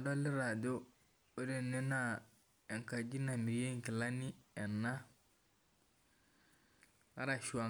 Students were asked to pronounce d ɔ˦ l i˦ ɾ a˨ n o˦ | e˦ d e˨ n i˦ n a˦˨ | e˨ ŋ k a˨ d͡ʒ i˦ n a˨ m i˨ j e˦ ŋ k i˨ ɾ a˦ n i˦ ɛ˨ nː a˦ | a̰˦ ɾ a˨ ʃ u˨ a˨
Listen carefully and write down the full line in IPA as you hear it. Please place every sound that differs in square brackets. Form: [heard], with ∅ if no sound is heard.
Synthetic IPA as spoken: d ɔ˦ l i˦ ɾ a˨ [d] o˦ | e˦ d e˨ n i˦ n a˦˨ | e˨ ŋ k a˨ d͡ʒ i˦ n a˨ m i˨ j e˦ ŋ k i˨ [l] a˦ n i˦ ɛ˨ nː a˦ | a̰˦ ɾ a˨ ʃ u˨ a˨